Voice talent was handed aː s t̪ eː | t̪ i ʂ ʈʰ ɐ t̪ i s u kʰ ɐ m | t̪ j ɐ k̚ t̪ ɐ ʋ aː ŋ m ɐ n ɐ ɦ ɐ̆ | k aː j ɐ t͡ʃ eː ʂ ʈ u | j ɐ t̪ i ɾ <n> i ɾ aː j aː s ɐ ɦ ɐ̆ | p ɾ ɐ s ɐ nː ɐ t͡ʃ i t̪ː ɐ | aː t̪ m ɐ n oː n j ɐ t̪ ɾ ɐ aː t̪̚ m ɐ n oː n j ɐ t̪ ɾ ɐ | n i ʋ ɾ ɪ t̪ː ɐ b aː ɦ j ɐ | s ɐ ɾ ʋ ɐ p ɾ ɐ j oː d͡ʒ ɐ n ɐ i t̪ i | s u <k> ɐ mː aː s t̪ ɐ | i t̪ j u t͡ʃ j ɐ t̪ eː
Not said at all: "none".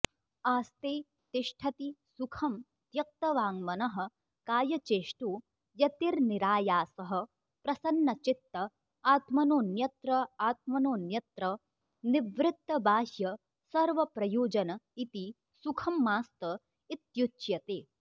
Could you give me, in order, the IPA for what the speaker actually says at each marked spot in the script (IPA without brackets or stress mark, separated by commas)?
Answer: n, kʰ